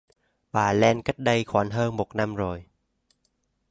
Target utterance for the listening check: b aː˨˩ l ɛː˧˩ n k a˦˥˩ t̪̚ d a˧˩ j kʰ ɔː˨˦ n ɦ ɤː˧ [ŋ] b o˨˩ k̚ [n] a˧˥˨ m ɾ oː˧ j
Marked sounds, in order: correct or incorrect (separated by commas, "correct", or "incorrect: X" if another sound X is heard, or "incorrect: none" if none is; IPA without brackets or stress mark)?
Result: correct, correct